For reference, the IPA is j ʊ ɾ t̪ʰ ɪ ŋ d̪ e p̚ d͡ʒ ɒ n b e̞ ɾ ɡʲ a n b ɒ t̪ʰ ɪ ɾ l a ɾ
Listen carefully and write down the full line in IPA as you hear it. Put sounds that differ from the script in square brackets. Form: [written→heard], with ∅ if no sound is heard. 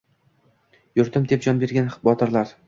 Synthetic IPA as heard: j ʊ ɾ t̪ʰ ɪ [ŋ→m] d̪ e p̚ d͡ʒ ɒ n b e̞ ɾ ɡʲ a n b ɒ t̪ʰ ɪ ɾ l a ɾ